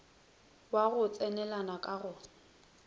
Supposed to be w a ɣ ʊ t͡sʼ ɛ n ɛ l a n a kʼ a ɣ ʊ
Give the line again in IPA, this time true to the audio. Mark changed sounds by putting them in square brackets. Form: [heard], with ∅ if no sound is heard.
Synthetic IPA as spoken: w a ɣ ʊ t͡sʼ ɛ n ɛ l a n a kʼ a ɣ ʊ